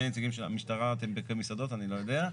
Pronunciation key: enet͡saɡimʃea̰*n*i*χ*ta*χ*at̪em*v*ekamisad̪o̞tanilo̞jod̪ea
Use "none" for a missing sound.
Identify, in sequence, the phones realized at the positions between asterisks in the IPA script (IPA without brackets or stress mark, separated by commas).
m, ʃ, ʁ, b